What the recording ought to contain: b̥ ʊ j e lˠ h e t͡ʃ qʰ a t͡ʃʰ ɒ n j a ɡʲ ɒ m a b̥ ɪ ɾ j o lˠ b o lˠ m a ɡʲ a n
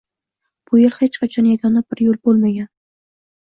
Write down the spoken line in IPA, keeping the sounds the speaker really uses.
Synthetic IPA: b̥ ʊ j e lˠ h e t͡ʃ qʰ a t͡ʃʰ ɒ n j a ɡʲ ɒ n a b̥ ɪ ɾ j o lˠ b o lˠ m a ɡʲ a n